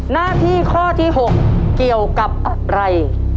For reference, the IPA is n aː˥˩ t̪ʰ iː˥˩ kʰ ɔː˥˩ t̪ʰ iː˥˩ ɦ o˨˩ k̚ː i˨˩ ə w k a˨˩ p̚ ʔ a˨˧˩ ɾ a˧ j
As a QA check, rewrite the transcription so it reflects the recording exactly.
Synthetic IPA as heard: n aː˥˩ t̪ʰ iː˥˩ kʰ ɔː˥˩ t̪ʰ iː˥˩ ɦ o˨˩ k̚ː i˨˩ ə w k a˨˩ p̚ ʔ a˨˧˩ ɾ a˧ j

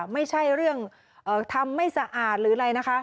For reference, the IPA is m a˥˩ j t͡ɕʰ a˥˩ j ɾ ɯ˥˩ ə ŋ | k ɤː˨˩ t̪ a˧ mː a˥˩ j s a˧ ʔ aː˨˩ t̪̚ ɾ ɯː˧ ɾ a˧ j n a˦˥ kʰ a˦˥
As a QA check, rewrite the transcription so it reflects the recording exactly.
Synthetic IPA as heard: m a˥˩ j t͡ɕʰ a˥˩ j ɾ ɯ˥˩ ə ŋ | ʔ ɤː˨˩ t̪ʰ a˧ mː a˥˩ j s a˧ ʔ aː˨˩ t̪̚ ɾ ɯː˩˦ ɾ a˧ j n a˦˥ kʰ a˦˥

